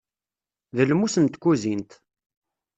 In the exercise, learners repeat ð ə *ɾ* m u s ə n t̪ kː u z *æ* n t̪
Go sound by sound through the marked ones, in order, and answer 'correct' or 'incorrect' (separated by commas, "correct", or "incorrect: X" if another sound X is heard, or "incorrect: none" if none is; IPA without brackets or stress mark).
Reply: incorrect: l, incorrect: i